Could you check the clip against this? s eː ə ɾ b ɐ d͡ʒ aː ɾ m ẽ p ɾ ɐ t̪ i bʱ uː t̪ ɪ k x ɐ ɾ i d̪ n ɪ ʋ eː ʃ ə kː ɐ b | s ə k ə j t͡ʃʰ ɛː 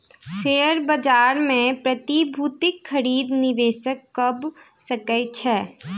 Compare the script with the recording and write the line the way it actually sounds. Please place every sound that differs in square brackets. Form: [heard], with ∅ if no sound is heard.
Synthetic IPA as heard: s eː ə ɾ b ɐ d͡ʒ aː ɾ m ẽ p ɾ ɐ t̪ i bʱ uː t̪ ɪ k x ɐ ɾ [iː] d̪ n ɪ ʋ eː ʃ ə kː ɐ b | s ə k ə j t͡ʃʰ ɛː